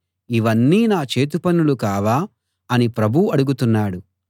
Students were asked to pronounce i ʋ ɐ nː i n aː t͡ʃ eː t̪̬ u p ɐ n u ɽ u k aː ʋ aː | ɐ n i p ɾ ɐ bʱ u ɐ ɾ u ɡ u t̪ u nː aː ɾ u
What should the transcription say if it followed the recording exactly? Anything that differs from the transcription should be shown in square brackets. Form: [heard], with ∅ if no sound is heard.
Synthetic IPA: i ʋ ɐ nː [iː] n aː t͡ʃ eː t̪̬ u p ɐ n u [l] u k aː ʋ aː | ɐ n i p ɾ ɐ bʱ u ɐ [ɽ] u ɡ u t̪ u nː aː [ɽ] u